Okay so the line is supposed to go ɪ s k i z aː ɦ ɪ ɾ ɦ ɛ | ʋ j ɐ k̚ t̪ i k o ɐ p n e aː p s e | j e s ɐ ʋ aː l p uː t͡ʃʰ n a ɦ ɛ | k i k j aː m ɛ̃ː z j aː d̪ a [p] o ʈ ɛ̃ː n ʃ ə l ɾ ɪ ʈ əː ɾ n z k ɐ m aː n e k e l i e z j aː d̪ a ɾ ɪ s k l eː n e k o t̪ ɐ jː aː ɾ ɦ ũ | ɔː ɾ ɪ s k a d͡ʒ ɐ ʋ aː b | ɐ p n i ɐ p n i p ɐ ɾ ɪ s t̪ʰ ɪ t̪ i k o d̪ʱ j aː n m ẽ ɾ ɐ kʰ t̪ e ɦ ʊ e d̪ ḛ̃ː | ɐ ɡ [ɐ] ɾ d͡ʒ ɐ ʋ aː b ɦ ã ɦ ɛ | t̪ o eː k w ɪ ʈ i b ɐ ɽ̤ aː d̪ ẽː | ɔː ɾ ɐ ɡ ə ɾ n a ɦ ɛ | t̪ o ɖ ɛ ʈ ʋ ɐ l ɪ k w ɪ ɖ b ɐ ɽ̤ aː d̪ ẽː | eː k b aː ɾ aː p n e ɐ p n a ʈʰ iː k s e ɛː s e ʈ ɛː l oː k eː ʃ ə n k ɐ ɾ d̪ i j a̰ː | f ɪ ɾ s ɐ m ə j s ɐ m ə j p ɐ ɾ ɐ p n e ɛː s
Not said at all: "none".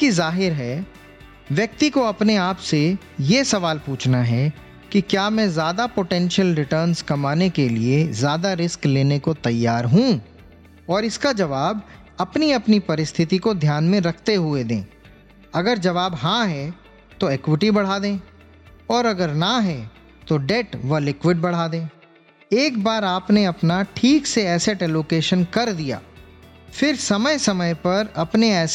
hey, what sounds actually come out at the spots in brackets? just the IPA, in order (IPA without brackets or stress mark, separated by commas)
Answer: p, ə